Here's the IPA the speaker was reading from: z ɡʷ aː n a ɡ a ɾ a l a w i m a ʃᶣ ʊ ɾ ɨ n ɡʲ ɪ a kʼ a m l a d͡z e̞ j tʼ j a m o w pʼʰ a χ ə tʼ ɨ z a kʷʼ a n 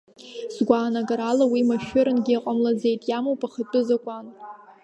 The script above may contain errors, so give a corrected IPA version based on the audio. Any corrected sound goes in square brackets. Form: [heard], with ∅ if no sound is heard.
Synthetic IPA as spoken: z ɡʷ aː n a ɡ a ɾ a l a w i m a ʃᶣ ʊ ɾ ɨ n ɡʲ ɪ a [qʼ] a m l a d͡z e̞ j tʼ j a m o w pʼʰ a χ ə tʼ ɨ z a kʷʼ a n